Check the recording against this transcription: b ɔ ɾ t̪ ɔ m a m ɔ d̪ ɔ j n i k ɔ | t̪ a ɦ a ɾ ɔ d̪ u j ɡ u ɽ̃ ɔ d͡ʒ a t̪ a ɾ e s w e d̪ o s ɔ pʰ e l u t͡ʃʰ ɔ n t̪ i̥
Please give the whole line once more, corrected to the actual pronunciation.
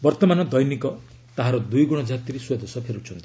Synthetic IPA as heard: b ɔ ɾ t̪ ɔ m a n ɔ d̪ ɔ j n i k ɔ | t̪ a ɦ a ɾ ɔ d̪ u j ɡ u ɽ̃ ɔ d͡ʒ a t̪ i ɾ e s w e d̪ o s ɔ pʰ e ɾ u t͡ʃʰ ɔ n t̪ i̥